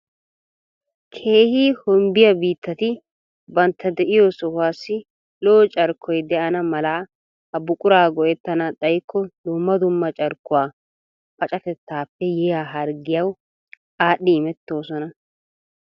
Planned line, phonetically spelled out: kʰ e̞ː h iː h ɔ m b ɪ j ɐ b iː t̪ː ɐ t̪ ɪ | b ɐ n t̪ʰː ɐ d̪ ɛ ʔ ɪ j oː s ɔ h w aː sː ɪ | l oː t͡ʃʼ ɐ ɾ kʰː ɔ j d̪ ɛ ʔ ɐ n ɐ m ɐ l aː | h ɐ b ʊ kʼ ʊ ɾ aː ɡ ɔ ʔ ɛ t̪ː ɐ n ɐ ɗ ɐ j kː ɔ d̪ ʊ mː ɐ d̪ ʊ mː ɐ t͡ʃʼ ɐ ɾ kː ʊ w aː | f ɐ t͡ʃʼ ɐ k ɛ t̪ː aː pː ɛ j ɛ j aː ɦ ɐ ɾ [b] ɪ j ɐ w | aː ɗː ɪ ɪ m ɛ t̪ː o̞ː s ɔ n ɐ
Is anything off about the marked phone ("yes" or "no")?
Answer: yes